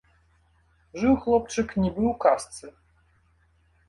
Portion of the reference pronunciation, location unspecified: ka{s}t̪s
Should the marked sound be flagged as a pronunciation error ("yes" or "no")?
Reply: no